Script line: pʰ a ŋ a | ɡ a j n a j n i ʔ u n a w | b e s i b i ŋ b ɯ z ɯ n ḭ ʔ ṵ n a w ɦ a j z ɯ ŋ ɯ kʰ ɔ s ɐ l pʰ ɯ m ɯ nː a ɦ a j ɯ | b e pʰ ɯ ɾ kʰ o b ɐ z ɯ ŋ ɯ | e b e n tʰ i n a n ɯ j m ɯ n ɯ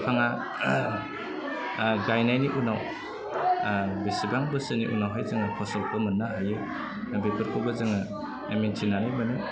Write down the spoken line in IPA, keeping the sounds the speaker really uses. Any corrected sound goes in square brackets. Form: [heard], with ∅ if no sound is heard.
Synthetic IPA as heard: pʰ a ŋ a | ɡ a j n a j n i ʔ u n a w | b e s i b [a] ŋ b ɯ [s] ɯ n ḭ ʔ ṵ n a w ɦ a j z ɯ ŋ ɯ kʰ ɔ s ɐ l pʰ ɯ m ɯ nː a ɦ a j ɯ | b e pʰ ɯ ɾ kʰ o b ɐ z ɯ ŋ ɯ | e [m] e n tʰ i n a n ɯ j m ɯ n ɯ